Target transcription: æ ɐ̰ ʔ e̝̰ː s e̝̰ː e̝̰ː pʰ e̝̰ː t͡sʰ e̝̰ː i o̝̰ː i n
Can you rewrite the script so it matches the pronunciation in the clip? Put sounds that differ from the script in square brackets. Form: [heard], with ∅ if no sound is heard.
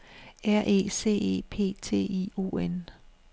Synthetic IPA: æ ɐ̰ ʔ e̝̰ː s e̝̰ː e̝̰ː pʰ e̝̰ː t͡sʰ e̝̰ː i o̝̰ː [e] n